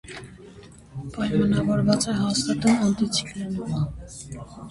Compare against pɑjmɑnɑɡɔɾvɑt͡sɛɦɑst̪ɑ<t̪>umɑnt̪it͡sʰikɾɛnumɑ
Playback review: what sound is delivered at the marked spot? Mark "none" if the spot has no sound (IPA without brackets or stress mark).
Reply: t̪